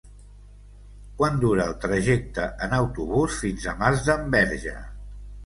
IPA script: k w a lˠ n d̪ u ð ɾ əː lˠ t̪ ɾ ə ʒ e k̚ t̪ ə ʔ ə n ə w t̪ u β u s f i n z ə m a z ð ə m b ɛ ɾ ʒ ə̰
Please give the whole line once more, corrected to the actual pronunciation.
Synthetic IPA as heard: k w a n d̪ u ɾ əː lˠ t̪ ɾ ə ʒ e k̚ t̪ ə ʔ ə n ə w t̪ u β u s f i n z ə m a z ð ə m b ɛ ɾ ʒ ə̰